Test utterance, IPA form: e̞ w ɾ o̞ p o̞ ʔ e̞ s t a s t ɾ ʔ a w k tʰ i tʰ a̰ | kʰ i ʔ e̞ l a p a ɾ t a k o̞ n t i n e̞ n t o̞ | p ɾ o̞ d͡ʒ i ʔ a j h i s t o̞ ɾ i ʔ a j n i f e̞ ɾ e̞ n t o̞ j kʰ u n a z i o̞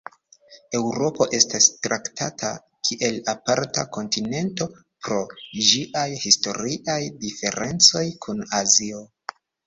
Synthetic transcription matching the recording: e̞ w ɾ o̞ p o̞ ʔ e̞ s t a s t ɾ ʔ a k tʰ a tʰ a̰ | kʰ i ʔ e̞ l a p a ɾ t a k o̞ n t i n e̞ n t o̞ | p ɾ o̞ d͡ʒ i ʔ a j h i s t o̞ ɾ i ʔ a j d i f e̞ ɾ e̞ n t͡s o̞ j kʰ u n a z i o̞